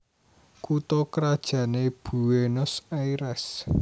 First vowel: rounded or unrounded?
rounded